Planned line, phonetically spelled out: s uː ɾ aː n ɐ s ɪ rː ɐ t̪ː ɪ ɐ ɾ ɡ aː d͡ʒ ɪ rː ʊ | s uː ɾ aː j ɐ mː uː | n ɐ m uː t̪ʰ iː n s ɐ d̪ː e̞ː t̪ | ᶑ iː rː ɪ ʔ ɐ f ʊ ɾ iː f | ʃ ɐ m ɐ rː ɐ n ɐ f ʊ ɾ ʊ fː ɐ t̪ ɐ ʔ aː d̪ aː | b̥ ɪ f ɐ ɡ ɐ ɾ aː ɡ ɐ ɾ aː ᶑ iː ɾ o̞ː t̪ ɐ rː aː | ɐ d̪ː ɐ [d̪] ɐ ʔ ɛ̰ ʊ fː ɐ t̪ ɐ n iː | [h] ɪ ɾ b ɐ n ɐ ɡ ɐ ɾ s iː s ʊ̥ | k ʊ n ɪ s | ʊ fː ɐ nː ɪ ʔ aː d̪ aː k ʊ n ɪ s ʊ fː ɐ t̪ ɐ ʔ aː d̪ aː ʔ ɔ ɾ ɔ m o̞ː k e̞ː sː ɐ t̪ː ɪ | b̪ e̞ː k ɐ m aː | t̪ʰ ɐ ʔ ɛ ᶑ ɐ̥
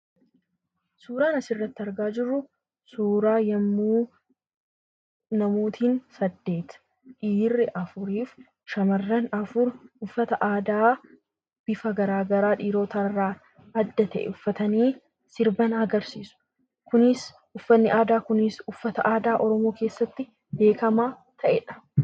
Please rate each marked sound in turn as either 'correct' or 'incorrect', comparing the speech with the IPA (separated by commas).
incorrect, incorrect